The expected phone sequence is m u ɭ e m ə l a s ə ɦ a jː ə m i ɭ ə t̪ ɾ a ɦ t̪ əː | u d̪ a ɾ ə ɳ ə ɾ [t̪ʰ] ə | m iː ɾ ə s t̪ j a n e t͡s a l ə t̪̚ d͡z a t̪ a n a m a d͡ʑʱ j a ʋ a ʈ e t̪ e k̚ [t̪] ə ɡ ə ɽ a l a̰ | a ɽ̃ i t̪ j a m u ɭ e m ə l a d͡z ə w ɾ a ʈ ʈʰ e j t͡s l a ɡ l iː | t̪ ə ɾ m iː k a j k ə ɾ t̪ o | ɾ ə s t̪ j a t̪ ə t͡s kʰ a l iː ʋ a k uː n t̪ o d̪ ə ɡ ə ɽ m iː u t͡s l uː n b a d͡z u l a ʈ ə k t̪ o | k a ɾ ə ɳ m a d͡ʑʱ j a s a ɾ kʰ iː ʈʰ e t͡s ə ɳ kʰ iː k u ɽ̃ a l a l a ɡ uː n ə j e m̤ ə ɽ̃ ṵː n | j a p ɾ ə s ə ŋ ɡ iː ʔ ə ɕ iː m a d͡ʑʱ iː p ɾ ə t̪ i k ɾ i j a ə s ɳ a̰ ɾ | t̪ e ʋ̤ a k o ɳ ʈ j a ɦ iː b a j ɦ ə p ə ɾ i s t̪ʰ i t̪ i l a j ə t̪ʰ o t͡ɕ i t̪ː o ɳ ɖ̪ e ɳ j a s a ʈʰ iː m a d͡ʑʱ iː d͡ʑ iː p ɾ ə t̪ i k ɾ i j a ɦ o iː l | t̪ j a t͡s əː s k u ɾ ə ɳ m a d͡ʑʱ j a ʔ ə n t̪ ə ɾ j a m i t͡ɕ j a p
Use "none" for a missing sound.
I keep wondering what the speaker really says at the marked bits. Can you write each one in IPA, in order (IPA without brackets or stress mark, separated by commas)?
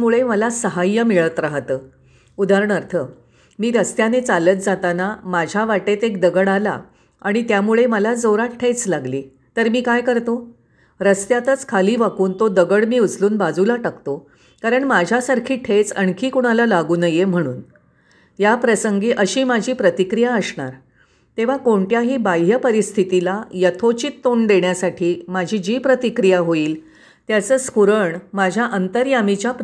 t̪ʰ, d̪